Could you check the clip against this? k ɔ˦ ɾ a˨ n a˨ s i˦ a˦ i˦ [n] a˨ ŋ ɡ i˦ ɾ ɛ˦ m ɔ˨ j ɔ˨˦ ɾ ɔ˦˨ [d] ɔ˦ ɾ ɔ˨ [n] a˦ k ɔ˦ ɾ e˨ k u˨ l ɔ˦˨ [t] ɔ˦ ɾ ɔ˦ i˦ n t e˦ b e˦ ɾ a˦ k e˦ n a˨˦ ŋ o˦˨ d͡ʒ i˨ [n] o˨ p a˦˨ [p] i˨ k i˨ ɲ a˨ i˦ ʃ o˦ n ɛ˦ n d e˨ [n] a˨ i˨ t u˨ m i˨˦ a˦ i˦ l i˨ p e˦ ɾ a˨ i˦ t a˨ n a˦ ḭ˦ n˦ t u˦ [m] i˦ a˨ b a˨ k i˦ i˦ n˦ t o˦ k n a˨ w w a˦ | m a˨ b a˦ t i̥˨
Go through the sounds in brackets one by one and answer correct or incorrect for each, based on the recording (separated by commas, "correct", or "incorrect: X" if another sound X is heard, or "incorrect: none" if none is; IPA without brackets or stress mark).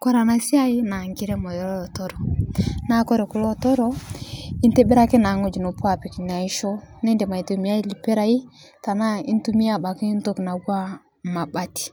correct, incorrect: t, correct, correct, correct, correct, incorrect: m, correct